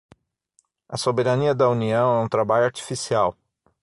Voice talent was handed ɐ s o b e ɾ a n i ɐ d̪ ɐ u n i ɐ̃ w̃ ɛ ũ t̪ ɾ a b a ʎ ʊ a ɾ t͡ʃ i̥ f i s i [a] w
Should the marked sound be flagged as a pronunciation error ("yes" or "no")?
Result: no